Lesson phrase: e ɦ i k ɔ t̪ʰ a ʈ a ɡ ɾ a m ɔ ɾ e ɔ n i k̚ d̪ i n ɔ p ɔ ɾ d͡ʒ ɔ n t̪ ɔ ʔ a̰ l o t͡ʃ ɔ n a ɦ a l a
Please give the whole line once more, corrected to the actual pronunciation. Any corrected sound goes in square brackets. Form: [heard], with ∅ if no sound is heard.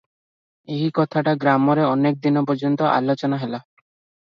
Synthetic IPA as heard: e ɦ i k ɔ t̪ʰ a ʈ a ɡ ɾ a m ɔ ɾ e ɔ n [e] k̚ d̪ i n ɔ p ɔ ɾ d͡ʒ ɔ n t̪ ɔ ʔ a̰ l o t͡ʃ ɔ n a ɦ [e] l a